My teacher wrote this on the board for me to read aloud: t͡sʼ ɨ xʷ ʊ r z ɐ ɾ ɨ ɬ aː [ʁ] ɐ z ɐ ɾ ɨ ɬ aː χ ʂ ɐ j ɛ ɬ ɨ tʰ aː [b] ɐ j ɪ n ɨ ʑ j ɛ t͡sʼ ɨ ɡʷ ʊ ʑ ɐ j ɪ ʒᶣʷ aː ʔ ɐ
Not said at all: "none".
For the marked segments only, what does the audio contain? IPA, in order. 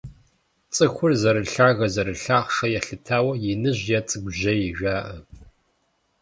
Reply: ɣ, w

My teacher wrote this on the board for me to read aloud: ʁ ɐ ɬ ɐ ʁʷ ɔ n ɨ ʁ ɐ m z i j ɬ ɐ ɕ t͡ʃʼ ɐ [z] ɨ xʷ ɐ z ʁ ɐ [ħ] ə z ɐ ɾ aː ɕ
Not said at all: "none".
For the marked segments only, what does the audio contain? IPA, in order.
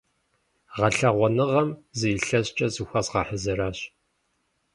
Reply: z, ħ

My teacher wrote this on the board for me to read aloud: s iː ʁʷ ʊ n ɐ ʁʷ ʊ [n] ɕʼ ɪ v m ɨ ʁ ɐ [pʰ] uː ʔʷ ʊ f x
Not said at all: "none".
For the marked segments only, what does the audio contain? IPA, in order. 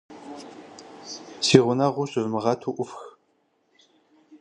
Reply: none, tʰ

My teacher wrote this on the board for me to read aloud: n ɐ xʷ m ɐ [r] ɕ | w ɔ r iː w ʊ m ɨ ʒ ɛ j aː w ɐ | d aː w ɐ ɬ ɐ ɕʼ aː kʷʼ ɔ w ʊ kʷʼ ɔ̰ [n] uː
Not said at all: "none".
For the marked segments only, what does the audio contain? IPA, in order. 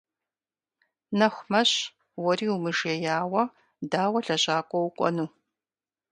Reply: none, n

